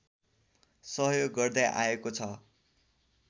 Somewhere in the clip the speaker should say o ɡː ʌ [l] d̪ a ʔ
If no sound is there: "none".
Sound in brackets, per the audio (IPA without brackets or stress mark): r